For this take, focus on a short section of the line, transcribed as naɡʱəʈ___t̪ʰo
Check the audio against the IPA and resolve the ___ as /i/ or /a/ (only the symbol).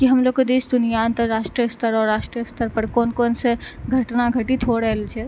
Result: i